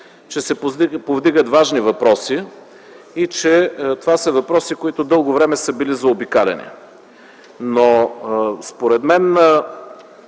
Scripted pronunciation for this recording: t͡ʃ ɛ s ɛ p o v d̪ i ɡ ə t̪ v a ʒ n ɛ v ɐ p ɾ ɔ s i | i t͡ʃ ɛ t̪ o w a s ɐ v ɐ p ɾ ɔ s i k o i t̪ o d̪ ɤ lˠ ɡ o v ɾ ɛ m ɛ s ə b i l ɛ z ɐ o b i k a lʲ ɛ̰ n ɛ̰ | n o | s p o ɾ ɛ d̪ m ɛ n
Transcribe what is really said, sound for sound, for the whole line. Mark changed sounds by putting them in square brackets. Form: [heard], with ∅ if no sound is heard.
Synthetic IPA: t͡ʃ ɛ s ɛ p o v d̪ i ɡ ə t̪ v a ʒ n [i] v ɐ p ɾ ɔ s i | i t͡ʃ ɛ t̪ o [v] a s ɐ v ɐ p ɾ ɔ s i k o i t̪ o d̪ ɤ lˠ ɡ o v ɾ ɛ m ɛ s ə b i l [i] z ɐ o b i k a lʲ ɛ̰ n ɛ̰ | n o | s p o ɾ ɛ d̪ m ɛ n

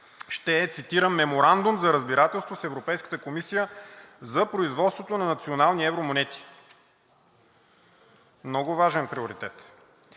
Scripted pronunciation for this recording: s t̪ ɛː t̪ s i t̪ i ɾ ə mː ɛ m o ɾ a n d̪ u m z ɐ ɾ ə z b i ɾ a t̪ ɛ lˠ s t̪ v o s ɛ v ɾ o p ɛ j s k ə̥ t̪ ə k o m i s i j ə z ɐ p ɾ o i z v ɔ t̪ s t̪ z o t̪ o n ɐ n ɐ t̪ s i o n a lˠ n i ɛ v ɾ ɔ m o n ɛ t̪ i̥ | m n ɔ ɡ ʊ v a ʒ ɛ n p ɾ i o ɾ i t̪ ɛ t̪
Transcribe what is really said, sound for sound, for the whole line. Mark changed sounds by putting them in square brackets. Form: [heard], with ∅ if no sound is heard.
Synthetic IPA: [ʃ] t̪ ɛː t̪ s i t̪ i ɾ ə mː ɛ m o ɾ a n d̪ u m z ɐ ɾ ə z b i ɾ a t̪ ɛ lˠ s t̪ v o s ɛ v ɾ o p ɛ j s k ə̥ t̪ ə k o m i s i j ə z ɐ p ɾ o i z v ɔ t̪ s t̪ [v] o t̪ o n ɐ n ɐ t̪ s i o n a lˠ n i ɛ v ɾ [o] m o n ɛ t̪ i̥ | m n ɔ ɡ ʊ v a ʒ ɛ n p ɾ i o ɾ i t̪ ɛ t̪

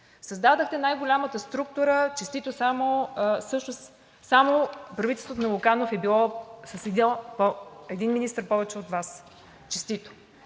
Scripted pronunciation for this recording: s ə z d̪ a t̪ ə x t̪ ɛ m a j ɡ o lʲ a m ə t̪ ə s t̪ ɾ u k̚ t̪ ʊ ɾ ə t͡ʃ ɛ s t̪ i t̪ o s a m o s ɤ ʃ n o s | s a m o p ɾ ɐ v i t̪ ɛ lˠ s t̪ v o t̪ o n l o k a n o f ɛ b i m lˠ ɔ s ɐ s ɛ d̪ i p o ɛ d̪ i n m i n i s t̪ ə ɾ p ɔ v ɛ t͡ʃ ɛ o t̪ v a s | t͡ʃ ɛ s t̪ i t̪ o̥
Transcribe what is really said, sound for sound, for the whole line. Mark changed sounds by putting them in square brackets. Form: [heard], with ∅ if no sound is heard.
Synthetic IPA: s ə z d̪ a [d̪] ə x t̪ ɛ [n] a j ɡ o lʲ a m ə t̪ ə s t̪ ɾ u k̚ t̪ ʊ ɾ ə t͡ʃ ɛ s t̪ i t̪ o s a m o s ɤ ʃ n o s | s a m o p ɾ ɐ v i t̪ ɛ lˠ s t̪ v o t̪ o n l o k a n o f ɛ b i [∅] lˠ ɔ s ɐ s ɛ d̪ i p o ɛ d̪ i n m i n i s t̪ ə ɾ p ɔ v ɛ t͡ʃ ɛ o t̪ v a s | t͡ʃ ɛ s t̪ i t̪ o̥

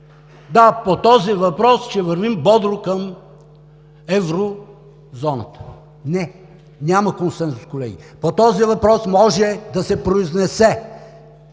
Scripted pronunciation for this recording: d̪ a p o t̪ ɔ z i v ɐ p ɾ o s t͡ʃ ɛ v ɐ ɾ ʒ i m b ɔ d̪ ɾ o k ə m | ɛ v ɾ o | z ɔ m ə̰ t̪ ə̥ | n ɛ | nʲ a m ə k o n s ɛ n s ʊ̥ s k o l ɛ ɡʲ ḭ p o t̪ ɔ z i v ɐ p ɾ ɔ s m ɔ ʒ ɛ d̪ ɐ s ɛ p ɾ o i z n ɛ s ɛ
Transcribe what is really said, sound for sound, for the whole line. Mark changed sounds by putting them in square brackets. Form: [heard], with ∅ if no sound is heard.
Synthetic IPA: d̪ a p o t̪ ɔ z i v ɐ p ɾ [ɔ] s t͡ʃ ɛ v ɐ ɾ [v] i m b ɔ d̪ ɾ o k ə m | ɛ v ɾ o | z ɔ [n] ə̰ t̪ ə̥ | n ɛ | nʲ a m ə k o n s ɛ n s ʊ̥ s k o l ɛ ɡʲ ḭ p o t̪ ɔ z i v ɐ p ɾ ɔ s m ɔ ʒ ɛ d̪ ɐ s ɛ p ɾ o i z n ɛ s ɛ

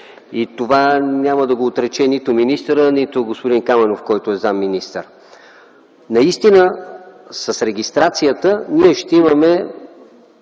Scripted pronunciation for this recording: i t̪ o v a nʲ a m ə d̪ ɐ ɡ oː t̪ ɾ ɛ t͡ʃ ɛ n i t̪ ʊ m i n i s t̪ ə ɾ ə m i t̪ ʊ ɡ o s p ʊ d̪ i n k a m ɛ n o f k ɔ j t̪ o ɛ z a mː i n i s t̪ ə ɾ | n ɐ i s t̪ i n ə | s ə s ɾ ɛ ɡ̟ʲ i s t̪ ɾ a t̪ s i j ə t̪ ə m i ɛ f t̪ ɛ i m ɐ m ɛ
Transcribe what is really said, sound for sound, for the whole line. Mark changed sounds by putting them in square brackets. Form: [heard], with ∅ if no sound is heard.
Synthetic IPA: i t̪ o v a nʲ a m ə d̪ ɐ ɡ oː t̪ ɾ ɛ t͡ʃ ɛ n i t̪ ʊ m i n i s t̪ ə ɾ ə [n] i t̪ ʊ ɡ o s p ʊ d̪ i n k a m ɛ n o f k ɔ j t̪ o ɛ z a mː i n i s t̪ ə ɾ | n ɐ i s t̪ i n ə | s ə s ɾ ɛ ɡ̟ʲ i s t̪ ɾ a t̪ s i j ə t̪ ə [n] i ɛ [ʃ] t̪ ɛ i m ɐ m ɛ

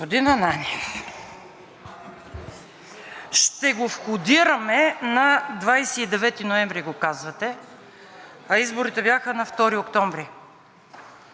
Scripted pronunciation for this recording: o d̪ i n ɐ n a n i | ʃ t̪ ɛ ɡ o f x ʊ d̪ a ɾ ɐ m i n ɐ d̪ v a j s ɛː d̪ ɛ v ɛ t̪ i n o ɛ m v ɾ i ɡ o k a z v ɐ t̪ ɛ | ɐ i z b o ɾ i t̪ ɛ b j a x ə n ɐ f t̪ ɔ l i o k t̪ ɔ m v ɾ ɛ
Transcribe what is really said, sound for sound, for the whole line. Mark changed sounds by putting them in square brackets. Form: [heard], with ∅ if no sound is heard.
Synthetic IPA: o d̪ i n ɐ n a n i | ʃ t̪ ɛ ɡ o f x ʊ d̪ [i] ɾ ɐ m [ɛ] n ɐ d̪ v a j s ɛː d̪ ɛ v ɛ t̪ i n o ɛ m v ɾ i ɡ o k a z v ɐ t̪ ɛ | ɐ i z b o ɾ i t̪ ɛ b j a x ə n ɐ f t̪ ɔ [ɾ] i o k t̪ ɔ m v ɾ [i]

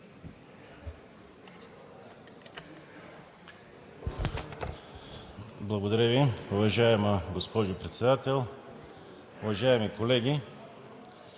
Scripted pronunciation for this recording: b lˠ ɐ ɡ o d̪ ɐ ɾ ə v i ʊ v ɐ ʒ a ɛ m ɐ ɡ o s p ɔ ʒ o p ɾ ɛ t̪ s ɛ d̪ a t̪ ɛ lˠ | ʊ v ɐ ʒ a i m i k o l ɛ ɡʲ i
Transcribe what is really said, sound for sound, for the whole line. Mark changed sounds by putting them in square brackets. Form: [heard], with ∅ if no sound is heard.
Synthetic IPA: b lˠ ɐ ɡ o d̪ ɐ ɾ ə v i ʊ v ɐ ʒ a ɛ m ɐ ɡ o s p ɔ ʒ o p ɾ ɛ t̪ s ɛ d̪ a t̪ ɛ lˠ | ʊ v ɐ ʒ a [ɛ] m i k o l ɛ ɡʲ i

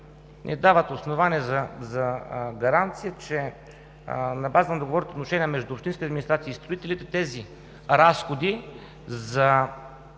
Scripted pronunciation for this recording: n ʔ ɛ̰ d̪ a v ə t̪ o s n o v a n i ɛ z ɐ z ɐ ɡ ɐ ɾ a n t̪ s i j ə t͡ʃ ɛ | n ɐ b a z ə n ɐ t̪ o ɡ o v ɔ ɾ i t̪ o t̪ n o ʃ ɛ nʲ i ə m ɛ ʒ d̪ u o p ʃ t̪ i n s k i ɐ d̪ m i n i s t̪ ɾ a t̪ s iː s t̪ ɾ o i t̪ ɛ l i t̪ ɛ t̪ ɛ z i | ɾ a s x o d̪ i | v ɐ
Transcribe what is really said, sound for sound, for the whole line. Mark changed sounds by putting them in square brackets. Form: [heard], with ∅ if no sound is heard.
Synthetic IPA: n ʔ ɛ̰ d̪ a v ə t̪ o s n o v a n i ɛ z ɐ z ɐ ɡ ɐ ɾ a n t̪ s i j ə t͡ʃ ɛ | n ɐ b a z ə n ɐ [d̪] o ɡ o v ɔ ɾ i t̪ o t̪ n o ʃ ɛ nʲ i ə m ɛ ʒ d̪ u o p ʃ t̪ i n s k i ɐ d̪ m i n i s t̪ ɾ a t̪ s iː s t̪ ɾ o i t̪ ɛ l i t̪ ɛ t̪ ɛ z i | ɾ a s x o d̪ i | [z] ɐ

